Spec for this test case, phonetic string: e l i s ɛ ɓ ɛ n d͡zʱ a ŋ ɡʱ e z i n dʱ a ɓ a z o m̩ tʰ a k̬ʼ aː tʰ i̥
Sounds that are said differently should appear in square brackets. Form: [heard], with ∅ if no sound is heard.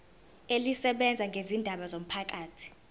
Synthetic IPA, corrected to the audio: e l i s ɛ ɓ ɛ n d͡zʱ a ŋ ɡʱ e z i n dʱ a ɓ a z o m̩ [pʰ] a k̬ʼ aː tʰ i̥